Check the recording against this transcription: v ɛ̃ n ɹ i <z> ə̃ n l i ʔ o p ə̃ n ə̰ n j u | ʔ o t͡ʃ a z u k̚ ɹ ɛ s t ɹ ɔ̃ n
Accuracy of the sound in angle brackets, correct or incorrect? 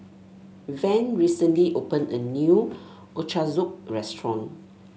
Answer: incorrect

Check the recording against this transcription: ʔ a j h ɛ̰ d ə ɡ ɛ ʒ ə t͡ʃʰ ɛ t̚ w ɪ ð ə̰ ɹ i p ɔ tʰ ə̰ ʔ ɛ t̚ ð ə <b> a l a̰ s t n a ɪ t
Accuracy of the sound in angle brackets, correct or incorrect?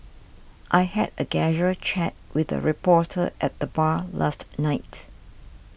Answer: correct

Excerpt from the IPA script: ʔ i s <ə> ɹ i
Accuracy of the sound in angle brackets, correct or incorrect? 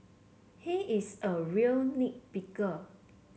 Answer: correct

